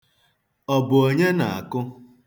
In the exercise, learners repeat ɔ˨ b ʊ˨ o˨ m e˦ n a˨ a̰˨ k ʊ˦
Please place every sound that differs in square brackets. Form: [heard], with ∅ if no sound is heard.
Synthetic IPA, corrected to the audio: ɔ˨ b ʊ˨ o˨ [ɲ] e˦ n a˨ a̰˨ k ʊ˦